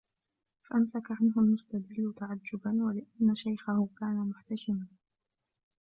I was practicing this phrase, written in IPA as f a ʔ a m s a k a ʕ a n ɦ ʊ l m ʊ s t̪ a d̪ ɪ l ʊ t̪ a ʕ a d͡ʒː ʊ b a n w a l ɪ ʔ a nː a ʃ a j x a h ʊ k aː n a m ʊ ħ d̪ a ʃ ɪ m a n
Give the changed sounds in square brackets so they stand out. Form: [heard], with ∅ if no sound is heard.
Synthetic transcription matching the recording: f a ʔ a m s a k a ʕ a n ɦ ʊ l m ʊ s t̪ a d̪ ɪ [lː] ʊ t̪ a ʕ a d͡ʒː ʊ b a n w a l ɪ ʔ a nː a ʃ a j x a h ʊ k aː n a m ʊ ħ [t̪] a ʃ ɪ m a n

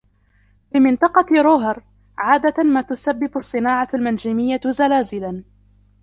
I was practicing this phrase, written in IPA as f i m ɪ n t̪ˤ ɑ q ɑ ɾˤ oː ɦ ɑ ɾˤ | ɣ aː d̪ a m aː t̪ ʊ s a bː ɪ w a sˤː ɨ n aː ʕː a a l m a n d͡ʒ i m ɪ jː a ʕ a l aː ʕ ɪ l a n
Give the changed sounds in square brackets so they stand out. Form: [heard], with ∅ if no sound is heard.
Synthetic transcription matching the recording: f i m ɪ n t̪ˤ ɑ q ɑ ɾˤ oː ɦ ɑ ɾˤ | [ʕ] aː d̪ a m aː t̪ ʊ s a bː ɪ [b] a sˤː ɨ n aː [ʕ] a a l m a n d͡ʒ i m ɪ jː a [z] a l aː [z] ɪ l a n

